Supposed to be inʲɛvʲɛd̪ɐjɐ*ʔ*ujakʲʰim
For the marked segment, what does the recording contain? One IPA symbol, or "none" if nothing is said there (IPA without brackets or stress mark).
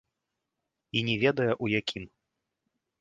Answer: ʔ